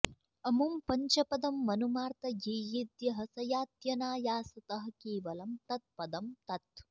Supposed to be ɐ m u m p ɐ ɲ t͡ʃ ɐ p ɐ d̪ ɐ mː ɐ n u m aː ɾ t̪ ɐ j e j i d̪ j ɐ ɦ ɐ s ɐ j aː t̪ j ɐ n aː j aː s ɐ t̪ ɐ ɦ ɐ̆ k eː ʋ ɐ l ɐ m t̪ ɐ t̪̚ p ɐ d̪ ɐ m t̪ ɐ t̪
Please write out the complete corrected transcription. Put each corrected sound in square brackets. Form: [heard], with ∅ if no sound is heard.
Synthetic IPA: ɐ m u m p ɐ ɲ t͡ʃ ɐ p ɐ d̪ ɐ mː ɐ n u m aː ɾ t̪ ɐ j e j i d̪ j ɐ ɦ ɐ s ɐ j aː t̪ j ɐ n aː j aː s ɐ t̪ ɐ ɦ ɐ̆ k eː ʋ ɐ l ɐ m t̪ ɐ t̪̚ p ɐ d̪ ɐ m t̪ ɐ t̪